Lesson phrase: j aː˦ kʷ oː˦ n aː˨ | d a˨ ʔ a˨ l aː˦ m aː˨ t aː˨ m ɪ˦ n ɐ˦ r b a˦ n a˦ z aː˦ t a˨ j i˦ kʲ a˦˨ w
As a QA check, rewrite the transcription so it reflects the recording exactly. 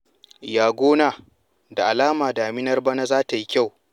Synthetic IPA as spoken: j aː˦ ɡʷ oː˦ n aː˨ | d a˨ ʔ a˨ l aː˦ m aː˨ d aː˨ m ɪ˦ n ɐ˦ r b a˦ n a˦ z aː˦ t a˨ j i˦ kʲ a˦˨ w